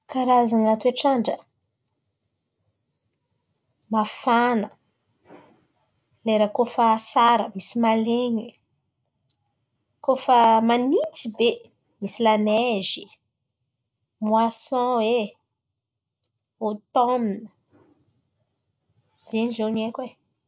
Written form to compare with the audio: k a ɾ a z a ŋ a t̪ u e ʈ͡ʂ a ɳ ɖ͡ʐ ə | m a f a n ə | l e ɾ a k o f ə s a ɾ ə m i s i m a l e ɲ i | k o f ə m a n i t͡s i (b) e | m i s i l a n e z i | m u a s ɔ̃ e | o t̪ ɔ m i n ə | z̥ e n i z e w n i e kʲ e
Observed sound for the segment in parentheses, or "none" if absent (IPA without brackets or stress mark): b